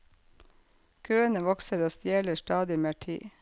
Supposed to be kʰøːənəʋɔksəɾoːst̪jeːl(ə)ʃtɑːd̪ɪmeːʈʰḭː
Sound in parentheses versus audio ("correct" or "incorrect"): correct